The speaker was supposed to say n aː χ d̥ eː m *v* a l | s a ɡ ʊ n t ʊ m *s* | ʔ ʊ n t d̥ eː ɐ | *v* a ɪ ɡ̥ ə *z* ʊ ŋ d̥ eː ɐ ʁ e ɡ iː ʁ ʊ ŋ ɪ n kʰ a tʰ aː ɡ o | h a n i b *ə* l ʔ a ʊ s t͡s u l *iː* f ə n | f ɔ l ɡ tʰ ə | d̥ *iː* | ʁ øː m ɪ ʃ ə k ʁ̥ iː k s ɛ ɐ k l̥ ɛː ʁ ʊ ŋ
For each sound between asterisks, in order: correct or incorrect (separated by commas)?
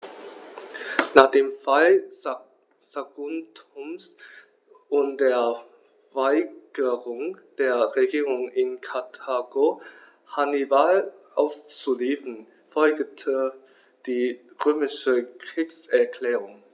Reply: incorrect, correct, correct, incorrect, incorrect, correct, correct